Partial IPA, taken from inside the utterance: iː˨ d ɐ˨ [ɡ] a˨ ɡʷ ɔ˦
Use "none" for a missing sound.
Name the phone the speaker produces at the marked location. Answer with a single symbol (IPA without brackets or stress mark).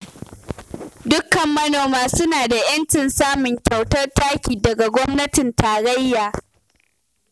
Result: ɡ